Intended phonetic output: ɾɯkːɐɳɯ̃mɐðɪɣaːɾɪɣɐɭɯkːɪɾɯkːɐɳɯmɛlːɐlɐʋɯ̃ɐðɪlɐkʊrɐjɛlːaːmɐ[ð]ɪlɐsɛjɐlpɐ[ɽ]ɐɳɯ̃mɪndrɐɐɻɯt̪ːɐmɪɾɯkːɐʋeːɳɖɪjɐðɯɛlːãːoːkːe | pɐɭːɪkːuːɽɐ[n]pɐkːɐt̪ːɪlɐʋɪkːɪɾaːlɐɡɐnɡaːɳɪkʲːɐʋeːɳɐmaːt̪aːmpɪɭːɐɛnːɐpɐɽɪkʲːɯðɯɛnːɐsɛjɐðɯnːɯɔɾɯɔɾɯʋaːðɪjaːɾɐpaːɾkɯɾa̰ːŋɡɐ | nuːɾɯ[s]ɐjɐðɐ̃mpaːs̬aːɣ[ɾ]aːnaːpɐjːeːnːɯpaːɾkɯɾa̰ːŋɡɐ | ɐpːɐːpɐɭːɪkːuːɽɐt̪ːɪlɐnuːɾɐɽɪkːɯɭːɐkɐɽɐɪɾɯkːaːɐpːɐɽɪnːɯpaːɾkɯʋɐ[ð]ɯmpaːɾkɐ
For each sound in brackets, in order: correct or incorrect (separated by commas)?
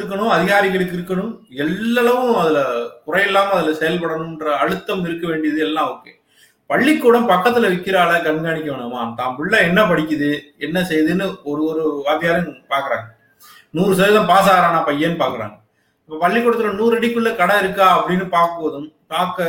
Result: correct, correct, incorrect, correct, correct, correct